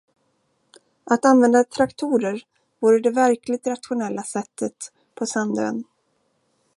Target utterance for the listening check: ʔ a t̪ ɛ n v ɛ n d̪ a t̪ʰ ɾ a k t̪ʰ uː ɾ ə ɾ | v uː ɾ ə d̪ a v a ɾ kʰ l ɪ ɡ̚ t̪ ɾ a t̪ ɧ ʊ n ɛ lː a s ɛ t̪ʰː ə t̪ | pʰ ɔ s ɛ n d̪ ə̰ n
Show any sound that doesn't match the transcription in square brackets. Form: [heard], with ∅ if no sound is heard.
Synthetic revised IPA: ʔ a t̪ [a] n v ɛ n d̪ a t̪ʰ ɾ a k t̪ʰ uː ɾ ə ɾ | v uː ɾ ə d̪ [ɛ] v [æ] ɾ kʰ l ɪ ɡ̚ t̪ ɾ a t̪ ɧ ʊ n ɛ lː a s ɛ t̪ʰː ə t̪ | pʰ ɔ s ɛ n d̪ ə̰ n